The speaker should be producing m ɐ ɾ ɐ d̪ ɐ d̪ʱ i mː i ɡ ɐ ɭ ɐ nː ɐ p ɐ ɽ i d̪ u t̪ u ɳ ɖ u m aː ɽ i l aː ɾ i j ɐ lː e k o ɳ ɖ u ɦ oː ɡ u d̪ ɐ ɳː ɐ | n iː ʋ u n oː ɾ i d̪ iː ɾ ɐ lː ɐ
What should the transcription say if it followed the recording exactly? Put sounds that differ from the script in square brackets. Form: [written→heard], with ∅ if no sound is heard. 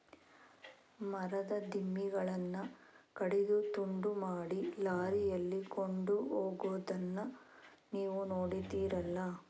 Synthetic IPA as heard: m ɐ ɾ ɐ d̪ ɐ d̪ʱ i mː i ɡ ɐ ɭ ɐ nː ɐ [p→k] ɐ ɽ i d̪ u t̪ u ɳ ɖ u m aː ɽ i l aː ɾ i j ɐ lː [e→i] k o ɳ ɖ u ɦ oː ɡ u d̪ ɐ [ɳː→nː] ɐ | n iː ʋ u n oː [ɾ→ɽ] i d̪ iː ɾ ɐ lː ɐ